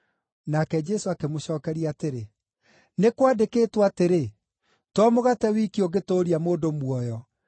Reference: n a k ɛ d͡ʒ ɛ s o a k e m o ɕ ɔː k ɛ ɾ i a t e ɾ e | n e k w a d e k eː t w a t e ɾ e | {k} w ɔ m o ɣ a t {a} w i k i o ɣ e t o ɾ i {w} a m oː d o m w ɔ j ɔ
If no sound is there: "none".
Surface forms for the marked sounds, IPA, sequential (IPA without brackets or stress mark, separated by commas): t, ɛ, none